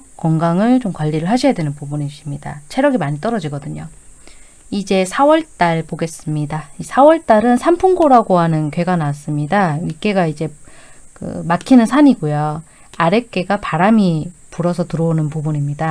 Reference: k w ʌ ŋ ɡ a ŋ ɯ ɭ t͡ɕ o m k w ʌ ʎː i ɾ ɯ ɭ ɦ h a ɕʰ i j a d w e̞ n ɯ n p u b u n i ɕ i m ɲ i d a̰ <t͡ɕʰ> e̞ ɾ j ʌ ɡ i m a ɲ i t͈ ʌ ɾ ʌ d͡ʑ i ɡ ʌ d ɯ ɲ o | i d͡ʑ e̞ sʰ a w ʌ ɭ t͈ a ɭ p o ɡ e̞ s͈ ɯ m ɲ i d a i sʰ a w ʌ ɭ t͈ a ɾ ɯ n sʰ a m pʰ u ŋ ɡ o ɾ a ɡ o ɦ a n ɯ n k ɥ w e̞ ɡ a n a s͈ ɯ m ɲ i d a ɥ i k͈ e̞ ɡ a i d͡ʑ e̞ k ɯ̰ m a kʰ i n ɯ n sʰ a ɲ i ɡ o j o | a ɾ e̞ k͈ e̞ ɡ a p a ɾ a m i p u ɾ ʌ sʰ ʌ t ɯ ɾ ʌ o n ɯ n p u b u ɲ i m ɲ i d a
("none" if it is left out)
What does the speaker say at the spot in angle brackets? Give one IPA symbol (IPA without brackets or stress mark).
t͡ɕʰ